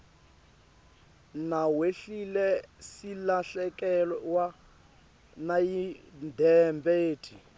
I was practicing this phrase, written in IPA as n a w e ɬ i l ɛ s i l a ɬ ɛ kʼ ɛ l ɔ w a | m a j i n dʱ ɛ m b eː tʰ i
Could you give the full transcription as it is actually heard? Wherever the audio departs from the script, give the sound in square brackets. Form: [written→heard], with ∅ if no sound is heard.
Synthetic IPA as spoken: n a w e ɬ i l ɛ s i l a ɬ ɛ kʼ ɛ l ɔ w a | [m→n] a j i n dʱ ɛ m b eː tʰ i